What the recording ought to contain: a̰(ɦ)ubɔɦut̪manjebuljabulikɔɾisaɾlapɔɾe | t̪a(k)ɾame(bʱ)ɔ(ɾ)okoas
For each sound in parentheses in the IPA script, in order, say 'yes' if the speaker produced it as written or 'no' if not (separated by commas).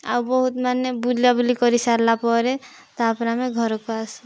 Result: no, no, no, yes